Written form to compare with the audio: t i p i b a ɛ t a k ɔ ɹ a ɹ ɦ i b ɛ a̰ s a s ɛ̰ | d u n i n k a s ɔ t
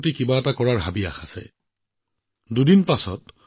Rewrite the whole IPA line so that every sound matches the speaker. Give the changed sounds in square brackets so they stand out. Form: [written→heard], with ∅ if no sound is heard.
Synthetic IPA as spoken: t i [p→k] i b a ɛ t a k ɔ ɹ a ɹ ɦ [i→a] b [ɛ→i] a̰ [s→x] a s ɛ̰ | d u [n→d] i n [k→p] a s ɔ t